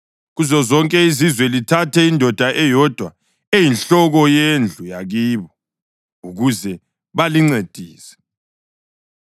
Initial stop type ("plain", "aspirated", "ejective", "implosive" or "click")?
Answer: ejective